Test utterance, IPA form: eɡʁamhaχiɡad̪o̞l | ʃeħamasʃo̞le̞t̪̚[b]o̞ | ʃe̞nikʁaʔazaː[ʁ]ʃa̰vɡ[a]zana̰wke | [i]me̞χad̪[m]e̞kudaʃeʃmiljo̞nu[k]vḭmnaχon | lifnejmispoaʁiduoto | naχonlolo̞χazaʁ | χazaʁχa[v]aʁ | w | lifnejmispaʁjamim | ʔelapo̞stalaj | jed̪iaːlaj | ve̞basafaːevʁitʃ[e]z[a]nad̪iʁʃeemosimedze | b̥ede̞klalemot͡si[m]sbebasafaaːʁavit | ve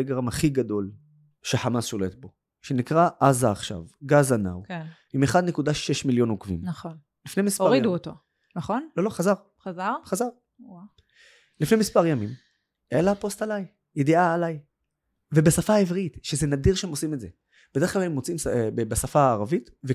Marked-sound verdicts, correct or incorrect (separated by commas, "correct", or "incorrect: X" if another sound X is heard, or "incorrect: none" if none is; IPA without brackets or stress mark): correct, incorrect: χ, correct, correct, incorrect: n, correct, incorrect: z, correct, incorrect: e, correct